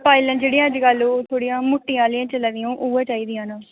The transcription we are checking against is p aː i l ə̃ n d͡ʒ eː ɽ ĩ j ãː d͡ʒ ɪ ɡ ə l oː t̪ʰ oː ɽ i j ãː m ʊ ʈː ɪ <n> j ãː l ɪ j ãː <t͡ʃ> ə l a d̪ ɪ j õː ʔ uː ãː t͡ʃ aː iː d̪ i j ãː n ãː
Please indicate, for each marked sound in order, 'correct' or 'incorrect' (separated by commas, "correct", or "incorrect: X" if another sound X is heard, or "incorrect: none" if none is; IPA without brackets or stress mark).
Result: incorrect: none, correct